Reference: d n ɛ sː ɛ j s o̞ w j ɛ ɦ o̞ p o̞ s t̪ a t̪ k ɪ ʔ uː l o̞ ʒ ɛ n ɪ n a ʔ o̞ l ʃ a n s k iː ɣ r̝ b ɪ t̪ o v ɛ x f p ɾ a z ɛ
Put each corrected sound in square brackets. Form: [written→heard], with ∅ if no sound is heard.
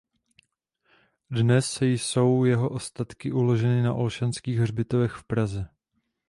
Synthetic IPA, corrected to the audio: d n ɛ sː ɛ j s o̞ w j ɛ ɦ o̞ [p→ʔ] o̞ s t̪ a t̪ k ɪ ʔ [uː→u] l o̞ ʒ ɛ n ɪ n a ʔ o̞ l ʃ a n s k iː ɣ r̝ b ɪ t̪ o v ɛ x f p ɾ a z ɛ